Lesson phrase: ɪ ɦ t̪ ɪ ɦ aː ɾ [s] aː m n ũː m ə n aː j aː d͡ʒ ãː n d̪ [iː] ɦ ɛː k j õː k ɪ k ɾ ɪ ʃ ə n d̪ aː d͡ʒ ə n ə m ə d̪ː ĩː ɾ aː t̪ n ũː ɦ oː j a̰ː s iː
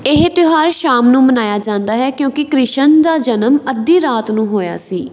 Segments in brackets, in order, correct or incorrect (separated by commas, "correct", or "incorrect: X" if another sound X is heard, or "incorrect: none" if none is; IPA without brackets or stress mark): incorrect: ʃ, incorrect: aː